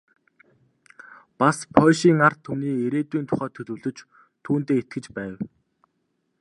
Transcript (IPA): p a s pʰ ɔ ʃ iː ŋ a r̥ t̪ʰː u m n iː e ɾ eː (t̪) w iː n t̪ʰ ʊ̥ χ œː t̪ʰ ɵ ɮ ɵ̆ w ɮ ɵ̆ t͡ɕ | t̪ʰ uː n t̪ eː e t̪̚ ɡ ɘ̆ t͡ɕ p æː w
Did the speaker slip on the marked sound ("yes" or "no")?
no